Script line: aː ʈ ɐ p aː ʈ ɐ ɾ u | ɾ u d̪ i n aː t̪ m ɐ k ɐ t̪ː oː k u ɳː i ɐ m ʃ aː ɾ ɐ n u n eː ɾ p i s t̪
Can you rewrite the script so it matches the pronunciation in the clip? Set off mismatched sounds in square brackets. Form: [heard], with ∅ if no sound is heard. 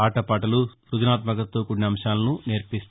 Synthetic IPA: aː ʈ ɐ p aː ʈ ɐ [l] u | ɾ u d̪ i n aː t̪ m ɐ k ɐ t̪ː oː k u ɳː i ɐ m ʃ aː [l] ɐ n u n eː ɾ p i s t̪